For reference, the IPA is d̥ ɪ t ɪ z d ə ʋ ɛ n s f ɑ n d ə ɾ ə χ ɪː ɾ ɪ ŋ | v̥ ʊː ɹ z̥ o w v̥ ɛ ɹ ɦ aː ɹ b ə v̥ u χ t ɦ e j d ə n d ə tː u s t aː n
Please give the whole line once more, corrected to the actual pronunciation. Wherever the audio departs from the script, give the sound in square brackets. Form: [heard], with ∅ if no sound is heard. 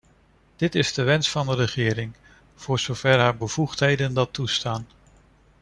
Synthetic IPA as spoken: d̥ ɪ t ɪ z d ə ʋ ɛ n s f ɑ n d ə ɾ ə χ ɪː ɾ ɪ ŋ | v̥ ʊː ɹ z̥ o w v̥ ɛ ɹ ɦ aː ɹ b ə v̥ u χ t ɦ e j d ə n d [ɑ] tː u s t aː n